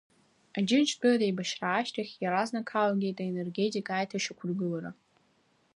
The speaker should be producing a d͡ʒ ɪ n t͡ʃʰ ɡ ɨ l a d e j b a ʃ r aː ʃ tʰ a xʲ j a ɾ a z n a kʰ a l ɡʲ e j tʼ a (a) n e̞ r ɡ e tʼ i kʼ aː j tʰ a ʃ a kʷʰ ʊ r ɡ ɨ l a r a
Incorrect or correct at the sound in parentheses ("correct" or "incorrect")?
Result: incorrect